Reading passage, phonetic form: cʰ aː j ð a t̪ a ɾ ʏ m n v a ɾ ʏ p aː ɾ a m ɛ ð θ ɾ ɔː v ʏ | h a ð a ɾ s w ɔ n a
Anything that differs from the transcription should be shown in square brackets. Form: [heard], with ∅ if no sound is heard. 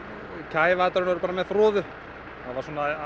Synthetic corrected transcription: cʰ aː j [v] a t̪ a ɾ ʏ [∅] n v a ɾ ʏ p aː ɾ a m ɛ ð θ ɾ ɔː [ð] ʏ | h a [v] a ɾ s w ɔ n a